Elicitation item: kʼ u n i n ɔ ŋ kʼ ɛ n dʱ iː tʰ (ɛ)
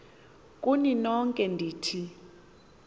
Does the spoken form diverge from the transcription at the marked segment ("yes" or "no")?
yes